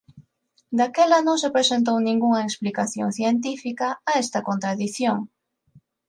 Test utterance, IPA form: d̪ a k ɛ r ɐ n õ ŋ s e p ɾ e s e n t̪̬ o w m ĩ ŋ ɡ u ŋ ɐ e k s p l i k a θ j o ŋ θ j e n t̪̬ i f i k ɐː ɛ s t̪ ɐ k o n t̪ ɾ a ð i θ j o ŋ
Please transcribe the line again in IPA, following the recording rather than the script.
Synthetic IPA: d̪ a k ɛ l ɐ n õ ŋ s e p ɾ e s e n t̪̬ o w n ĩ ŋ ɡ u ŋ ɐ e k s p l i k a θ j o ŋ θ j e n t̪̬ i f i k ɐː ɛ s t̪ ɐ k o n t̪ ɾ a ð i θ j o ŋ